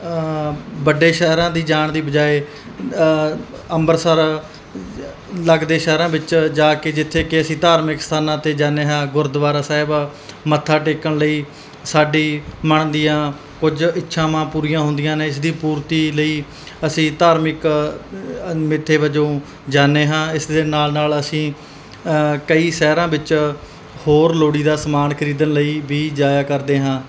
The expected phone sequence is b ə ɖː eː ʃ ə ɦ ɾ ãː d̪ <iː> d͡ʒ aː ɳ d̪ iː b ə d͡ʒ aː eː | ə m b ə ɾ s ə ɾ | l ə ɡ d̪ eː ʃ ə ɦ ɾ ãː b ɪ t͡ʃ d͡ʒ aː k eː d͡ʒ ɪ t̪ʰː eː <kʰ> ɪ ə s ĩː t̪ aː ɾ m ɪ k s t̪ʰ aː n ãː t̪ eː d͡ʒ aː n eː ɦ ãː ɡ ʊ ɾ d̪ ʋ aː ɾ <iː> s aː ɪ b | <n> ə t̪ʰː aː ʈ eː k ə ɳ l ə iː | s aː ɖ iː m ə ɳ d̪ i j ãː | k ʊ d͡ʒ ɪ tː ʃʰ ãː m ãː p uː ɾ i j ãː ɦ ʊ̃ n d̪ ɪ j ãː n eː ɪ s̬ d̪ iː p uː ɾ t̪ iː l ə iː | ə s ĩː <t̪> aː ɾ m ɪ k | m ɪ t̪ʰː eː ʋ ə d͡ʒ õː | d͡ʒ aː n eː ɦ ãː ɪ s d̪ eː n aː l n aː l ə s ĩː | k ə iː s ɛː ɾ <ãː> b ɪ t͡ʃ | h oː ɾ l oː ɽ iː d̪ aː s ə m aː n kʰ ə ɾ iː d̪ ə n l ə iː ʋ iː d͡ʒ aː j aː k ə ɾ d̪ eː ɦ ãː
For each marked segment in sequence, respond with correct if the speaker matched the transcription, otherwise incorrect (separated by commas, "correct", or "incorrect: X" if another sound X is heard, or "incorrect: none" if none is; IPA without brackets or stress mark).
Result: correct, incorrect: k, incorrect: aː, incorrect: m, correct, correct